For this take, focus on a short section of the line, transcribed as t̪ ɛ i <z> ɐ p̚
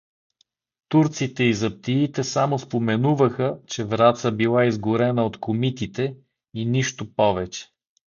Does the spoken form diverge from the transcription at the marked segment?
no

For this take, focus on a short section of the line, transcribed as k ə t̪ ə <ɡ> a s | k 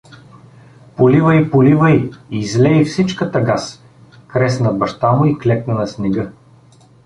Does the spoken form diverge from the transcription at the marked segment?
no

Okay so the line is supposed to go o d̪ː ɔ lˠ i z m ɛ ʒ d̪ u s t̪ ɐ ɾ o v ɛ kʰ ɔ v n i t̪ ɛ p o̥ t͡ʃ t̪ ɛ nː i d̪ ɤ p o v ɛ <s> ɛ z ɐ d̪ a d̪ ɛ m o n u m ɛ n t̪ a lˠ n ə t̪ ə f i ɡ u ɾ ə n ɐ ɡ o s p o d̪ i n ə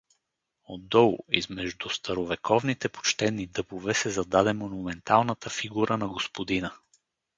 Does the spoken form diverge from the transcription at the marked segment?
no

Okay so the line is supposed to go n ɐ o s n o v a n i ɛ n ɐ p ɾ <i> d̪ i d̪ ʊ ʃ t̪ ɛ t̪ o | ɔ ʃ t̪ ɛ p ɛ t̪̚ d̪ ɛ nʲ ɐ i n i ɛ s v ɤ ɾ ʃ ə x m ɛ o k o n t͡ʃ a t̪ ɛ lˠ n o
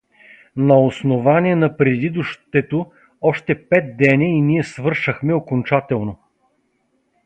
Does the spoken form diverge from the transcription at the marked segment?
yes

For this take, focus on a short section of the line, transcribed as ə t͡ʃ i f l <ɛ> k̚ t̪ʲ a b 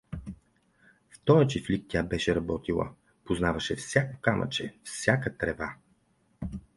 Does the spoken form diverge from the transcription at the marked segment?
yes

